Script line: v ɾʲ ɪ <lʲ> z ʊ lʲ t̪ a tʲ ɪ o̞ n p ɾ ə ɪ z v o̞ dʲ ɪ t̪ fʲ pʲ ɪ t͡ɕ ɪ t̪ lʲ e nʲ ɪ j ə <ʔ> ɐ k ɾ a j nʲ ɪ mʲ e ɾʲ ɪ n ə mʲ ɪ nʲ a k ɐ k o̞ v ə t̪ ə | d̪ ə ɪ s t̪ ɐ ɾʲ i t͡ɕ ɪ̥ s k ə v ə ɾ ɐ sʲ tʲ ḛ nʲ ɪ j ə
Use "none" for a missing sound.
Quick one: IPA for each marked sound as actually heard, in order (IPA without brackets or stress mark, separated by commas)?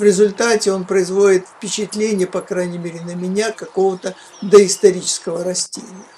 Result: none, p